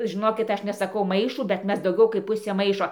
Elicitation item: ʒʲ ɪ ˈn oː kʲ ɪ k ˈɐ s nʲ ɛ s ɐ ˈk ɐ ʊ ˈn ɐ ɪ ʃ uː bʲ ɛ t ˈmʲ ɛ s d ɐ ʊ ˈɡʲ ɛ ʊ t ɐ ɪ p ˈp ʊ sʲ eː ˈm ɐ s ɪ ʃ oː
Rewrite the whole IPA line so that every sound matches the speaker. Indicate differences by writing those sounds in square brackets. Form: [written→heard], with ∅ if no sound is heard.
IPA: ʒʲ ɪ ˈn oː kʲ ɪ [k→t] ˈɐ [s→ʃ] nʲ ɛ s ɐ ˈk ɐ ʊ [ˈn→ˈm] ɐ ɪ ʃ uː bʲ ɛ t ˈmʲ ɛ s d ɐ ʊ ˈɡʲ ɛ ʊ [t→k] ɐ ɪ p ˈp ʊ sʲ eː ˈm ɐ [s→∅] ɪ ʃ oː